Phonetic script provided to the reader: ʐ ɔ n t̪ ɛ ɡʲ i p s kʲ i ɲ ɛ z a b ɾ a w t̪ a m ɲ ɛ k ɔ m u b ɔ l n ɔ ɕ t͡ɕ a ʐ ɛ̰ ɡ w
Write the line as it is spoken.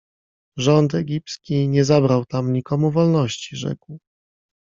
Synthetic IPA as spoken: ʐ ɔ n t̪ ɛ ɡʲ i p s kʲ i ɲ ɛ z a b ɾ a w t̪ a m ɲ i k ɔ m u v ɔ l n ɔ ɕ t͡ɕ i ʐ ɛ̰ k w